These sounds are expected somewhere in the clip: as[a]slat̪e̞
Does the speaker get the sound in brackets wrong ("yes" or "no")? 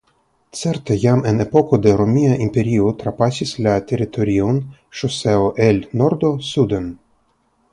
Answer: yes